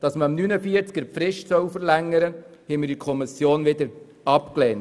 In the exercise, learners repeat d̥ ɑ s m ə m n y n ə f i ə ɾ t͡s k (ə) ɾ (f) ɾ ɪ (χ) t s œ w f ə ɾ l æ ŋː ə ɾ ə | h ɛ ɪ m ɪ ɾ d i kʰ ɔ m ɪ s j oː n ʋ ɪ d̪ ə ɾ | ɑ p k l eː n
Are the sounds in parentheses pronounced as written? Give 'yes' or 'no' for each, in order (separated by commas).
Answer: yes, yes, no